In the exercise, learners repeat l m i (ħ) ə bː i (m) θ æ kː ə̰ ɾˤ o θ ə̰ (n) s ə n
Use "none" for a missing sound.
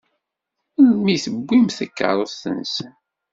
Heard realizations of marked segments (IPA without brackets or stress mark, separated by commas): θ, m, n